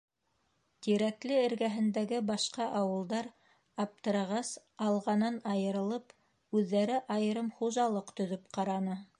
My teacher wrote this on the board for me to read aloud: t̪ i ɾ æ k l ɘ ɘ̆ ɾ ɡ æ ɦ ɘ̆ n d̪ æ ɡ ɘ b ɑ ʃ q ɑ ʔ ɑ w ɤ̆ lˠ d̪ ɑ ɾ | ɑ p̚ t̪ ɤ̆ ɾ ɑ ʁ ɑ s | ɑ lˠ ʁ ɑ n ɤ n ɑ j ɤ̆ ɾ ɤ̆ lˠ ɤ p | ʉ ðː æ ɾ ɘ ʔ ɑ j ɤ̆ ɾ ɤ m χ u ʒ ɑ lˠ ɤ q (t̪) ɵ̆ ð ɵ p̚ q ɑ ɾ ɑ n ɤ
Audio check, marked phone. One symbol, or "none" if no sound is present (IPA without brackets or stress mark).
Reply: t̪